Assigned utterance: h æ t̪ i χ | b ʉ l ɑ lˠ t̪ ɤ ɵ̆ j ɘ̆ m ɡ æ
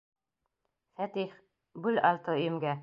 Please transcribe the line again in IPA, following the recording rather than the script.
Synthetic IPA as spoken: f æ t̪ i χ | b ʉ l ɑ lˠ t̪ ɤ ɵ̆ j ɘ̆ m ɡ æ